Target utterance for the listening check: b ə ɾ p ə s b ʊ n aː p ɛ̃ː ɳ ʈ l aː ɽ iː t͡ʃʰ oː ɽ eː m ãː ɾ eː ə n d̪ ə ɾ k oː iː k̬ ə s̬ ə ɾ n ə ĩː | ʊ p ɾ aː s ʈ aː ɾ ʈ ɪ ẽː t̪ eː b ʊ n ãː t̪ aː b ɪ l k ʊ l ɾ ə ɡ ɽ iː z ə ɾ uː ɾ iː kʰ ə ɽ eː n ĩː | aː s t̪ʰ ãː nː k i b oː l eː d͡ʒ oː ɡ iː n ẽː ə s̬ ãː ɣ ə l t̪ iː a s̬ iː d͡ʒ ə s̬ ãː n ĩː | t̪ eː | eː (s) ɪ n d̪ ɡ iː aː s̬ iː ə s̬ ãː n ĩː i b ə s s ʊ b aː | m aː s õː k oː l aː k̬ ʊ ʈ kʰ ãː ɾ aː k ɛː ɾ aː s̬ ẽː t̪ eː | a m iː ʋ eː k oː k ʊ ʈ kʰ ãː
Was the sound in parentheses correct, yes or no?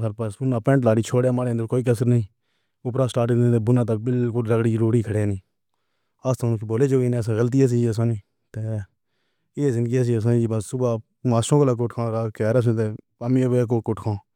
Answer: no